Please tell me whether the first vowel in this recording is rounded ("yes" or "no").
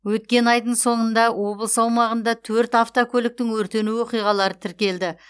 yes